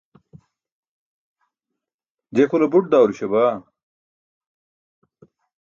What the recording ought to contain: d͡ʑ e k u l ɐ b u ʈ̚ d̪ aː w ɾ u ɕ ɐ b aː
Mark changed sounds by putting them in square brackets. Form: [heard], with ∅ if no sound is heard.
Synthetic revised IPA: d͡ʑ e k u l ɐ b u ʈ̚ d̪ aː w ɾ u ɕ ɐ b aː